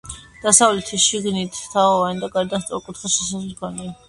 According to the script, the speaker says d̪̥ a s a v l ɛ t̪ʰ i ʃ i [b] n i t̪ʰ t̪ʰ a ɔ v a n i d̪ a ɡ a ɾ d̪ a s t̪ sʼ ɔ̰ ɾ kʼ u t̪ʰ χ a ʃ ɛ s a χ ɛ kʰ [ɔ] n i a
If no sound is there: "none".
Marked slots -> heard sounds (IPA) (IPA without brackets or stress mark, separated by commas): ɡ, ɔ